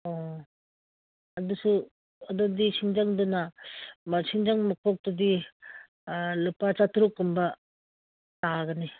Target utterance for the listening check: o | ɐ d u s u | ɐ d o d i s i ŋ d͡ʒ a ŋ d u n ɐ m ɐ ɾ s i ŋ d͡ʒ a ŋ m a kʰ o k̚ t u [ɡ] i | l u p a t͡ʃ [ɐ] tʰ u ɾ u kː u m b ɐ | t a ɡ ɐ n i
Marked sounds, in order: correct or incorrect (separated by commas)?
incorrect, incorrect